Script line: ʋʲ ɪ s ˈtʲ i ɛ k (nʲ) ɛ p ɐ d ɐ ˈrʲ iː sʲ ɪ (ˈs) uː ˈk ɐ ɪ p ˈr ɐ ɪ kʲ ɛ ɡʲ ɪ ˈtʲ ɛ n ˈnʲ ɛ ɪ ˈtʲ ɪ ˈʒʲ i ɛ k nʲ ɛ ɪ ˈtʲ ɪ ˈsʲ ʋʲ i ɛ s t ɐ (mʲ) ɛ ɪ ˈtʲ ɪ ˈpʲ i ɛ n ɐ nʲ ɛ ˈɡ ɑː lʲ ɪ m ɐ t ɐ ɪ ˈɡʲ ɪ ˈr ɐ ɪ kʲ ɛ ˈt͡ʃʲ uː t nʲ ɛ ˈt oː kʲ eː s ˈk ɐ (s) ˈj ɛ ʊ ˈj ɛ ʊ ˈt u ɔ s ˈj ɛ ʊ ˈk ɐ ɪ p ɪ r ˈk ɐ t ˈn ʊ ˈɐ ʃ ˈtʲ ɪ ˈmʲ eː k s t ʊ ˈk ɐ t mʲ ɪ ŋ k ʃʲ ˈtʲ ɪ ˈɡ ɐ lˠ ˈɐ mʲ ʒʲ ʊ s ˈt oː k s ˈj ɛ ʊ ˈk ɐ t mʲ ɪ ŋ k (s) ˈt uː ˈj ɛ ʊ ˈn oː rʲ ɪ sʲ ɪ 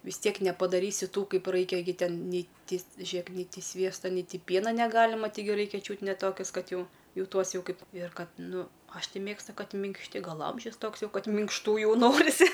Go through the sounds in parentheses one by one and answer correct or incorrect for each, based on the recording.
correct, incorrect: t, incorrect: nʲ, incorrect: t, incorrect: ʃ

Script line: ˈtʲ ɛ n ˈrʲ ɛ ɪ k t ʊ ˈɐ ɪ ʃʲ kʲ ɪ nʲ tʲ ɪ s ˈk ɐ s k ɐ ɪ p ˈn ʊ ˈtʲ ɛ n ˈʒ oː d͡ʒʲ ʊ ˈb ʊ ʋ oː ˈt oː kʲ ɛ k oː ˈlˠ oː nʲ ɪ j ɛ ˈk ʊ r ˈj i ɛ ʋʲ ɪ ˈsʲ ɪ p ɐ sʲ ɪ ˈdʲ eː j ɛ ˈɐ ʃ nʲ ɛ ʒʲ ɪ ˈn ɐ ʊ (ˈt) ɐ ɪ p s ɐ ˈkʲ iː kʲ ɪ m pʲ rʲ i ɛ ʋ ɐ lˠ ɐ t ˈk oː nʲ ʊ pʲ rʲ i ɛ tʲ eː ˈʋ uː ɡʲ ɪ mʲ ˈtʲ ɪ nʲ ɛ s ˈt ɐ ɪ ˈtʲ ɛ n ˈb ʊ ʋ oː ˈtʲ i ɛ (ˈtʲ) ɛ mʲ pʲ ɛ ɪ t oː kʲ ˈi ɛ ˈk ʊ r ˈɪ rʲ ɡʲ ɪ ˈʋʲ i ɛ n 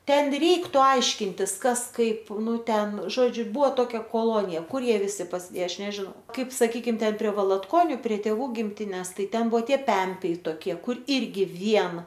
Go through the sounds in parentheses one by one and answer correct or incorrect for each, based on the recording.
incorrect: k, incorrect: pʲ

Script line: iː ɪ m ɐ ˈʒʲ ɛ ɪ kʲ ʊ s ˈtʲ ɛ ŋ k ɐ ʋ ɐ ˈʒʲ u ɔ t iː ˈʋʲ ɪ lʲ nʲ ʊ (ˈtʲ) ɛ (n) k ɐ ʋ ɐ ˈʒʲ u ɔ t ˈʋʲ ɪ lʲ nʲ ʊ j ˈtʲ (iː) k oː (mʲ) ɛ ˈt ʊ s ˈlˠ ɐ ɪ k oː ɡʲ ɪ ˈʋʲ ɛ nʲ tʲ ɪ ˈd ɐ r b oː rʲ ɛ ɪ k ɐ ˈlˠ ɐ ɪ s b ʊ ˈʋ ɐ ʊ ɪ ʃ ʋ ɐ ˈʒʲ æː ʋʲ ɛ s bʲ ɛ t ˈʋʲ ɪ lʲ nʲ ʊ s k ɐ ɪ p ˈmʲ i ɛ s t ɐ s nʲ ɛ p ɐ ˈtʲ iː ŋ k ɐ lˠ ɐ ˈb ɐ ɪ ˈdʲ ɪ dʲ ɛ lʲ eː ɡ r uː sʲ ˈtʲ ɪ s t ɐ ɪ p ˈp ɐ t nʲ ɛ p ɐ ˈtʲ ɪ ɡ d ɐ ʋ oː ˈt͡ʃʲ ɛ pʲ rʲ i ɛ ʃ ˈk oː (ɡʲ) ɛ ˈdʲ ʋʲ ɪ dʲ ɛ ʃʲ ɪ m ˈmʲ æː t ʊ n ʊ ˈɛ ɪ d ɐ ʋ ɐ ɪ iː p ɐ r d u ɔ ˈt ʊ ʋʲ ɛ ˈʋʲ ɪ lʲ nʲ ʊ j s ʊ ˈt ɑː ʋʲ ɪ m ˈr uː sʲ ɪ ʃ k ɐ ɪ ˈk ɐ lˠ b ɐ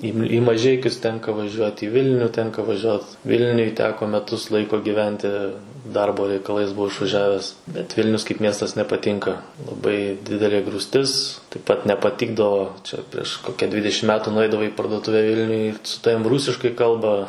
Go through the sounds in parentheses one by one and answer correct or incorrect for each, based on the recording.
correct, incorrect: ŋ, incorrect: æː, correct, incorrect: kʲ

